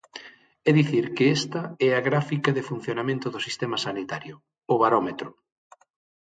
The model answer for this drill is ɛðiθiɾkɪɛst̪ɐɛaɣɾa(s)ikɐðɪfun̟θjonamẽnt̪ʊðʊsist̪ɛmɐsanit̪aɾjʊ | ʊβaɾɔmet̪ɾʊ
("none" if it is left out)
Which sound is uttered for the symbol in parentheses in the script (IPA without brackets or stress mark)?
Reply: f